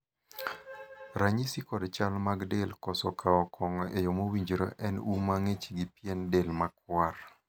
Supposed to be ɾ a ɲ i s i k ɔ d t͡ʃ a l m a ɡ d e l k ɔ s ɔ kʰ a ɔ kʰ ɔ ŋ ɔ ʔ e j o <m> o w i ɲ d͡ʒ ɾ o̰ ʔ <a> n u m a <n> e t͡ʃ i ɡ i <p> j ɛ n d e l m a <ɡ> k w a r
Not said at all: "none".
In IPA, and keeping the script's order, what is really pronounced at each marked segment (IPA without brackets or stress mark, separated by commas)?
m, ɛ, ŋ, p, none